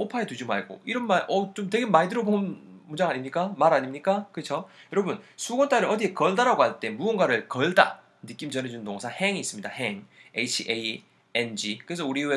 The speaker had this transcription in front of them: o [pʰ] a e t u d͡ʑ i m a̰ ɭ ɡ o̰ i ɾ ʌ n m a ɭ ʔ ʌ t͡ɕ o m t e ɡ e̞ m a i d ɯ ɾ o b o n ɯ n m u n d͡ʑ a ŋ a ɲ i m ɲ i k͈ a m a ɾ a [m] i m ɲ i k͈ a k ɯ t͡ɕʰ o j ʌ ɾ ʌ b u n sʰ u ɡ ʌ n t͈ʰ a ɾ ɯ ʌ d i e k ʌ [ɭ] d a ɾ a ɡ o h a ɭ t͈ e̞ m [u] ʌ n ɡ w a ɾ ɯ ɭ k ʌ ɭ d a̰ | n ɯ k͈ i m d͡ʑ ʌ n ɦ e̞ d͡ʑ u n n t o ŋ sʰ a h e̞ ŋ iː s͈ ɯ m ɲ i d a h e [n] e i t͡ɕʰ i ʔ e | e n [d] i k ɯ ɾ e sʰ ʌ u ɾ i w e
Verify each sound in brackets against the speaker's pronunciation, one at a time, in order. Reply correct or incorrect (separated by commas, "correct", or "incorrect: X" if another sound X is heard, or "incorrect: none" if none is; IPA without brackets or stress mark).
correct, incorrect: ɲ, correct, correct, incorrect: ŋ, incorrect: d͡ʑ